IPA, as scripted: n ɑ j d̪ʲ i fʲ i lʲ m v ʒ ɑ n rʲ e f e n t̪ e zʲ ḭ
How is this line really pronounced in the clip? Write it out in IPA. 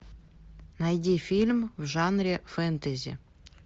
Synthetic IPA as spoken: n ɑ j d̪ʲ i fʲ i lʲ m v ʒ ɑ n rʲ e f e n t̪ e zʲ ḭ